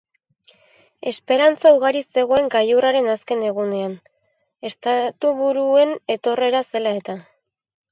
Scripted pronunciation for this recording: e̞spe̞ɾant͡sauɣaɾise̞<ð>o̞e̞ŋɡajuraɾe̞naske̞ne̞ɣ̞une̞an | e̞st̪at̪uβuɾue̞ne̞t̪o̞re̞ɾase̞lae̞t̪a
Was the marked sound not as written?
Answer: yes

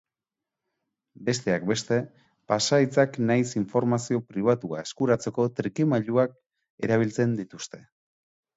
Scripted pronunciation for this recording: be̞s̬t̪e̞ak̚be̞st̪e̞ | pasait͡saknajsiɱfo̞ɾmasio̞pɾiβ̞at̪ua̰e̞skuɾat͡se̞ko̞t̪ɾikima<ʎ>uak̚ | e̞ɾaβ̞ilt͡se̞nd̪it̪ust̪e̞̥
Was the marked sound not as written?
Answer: no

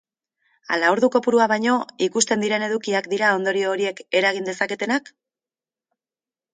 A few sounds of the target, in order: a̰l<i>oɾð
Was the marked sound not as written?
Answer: yes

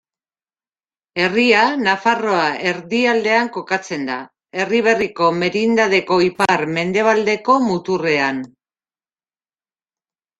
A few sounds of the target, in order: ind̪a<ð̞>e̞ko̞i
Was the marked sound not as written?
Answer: no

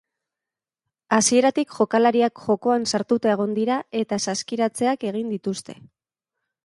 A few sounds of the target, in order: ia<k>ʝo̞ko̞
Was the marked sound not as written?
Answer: no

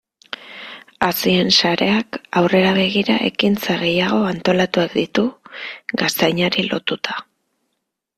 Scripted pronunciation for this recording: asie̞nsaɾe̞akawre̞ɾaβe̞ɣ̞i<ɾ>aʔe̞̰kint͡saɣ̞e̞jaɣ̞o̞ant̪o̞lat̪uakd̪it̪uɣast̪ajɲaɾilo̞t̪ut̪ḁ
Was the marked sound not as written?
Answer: no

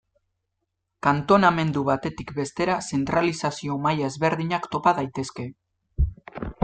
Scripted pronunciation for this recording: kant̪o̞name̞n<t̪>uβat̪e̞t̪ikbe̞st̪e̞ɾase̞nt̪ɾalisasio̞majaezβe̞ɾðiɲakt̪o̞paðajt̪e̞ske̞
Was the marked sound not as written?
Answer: yes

